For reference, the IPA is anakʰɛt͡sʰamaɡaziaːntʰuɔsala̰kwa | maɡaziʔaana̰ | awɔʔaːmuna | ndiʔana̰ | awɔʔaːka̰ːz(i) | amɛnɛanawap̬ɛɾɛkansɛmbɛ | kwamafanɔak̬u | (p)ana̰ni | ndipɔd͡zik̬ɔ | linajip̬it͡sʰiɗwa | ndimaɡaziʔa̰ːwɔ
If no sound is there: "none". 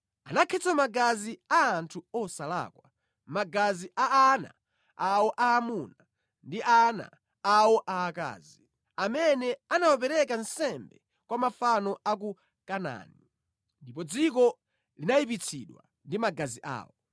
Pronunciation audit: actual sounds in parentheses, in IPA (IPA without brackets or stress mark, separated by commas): i, k